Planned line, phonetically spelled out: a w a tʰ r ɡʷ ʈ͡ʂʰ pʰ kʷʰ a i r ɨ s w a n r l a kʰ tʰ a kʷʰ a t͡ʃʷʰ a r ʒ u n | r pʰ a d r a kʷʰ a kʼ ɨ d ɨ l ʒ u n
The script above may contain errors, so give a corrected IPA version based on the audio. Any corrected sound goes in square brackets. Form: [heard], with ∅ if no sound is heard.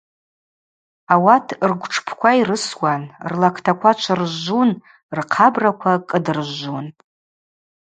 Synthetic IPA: a w a tʰ r ɡʷ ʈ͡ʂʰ pʰ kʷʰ a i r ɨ s w a n r l a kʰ tʰ a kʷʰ a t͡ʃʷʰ a r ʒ u n | r [qʰ] a [b] r a kʷʰ a kʼ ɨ d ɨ [r] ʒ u n